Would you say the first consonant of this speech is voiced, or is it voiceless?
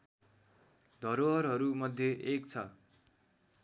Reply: voiced